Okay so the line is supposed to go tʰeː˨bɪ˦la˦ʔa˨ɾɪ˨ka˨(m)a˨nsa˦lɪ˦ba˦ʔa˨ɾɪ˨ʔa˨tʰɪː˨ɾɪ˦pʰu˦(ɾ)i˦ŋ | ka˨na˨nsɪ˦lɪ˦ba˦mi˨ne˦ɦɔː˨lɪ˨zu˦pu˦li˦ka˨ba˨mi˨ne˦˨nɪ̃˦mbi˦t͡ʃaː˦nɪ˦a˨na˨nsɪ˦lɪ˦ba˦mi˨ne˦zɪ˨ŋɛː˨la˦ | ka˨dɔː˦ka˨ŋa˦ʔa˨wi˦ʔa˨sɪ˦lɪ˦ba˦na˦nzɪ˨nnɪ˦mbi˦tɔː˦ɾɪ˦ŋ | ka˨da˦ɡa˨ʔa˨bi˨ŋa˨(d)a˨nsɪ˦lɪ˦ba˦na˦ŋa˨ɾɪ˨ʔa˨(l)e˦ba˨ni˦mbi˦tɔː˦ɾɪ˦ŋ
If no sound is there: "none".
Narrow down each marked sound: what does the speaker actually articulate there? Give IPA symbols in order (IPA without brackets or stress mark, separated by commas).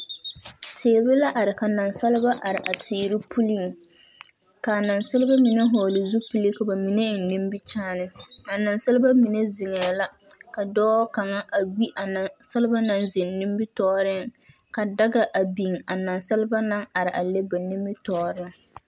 n, l, n, l